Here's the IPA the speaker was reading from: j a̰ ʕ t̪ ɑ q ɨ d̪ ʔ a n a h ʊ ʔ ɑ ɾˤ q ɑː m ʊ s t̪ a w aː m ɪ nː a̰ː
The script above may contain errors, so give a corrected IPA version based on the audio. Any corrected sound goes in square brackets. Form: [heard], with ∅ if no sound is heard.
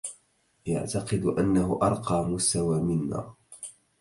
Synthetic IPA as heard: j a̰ ʕ t̪ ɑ q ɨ d̪ ʔ a [nː] a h ʊ ʔ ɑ ɾˤ q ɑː m ʊ s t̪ a w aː m ɪ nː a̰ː